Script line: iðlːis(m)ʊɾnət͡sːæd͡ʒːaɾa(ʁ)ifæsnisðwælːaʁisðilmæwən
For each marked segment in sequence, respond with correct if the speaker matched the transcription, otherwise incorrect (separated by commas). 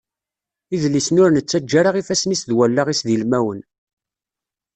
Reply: incorrect, correct